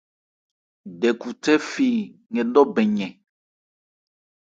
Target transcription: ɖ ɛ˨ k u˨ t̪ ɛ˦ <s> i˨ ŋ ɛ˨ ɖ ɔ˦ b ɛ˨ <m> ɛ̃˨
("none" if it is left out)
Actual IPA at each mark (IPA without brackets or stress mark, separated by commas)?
f, ɲ